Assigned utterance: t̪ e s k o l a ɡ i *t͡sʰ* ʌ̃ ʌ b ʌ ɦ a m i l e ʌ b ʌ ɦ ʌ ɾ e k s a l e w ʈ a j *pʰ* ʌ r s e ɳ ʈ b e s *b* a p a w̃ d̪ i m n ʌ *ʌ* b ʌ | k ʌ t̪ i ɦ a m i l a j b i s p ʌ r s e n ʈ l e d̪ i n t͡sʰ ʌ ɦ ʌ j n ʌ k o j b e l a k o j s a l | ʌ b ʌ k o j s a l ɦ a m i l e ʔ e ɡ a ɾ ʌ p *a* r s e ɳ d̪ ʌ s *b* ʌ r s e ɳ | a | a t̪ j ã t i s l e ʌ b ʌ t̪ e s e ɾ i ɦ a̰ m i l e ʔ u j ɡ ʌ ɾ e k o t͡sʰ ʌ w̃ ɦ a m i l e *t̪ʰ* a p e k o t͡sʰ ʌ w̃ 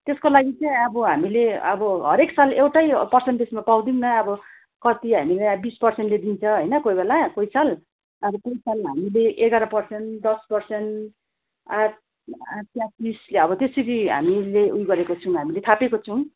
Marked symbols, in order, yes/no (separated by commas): no, no, no, yes, no, no, yes